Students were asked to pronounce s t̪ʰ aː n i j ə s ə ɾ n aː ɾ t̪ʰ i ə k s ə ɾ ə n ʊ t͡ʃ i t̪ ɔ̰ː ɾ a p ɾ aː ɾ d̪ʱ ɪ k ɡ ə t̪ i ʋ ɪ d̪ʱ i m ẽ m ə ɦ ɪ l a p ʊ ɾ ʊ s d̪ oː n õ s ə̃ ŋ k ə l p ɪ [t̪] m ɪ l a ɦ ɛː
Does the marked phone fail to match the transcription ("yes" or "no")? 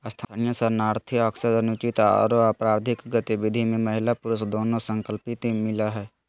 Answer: no